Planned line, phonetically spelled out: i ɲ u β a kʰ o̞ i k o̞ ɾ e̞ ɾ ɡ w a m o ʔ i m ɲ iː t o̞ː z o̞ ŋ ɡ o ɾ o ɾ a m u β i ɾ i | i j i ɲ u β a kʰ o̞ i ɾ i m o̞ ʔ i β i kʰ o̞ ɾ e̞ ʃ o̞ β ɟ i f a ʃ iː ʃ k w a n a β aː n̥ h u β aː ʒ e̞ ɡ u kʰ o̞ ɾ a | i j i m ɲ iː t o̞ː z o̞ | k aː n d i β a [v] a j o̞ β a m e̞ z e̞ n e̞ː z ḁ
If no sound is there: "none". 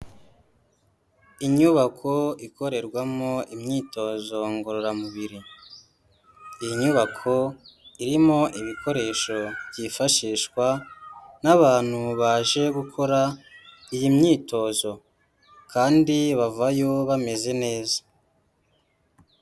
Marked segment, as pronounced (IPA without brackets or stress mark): v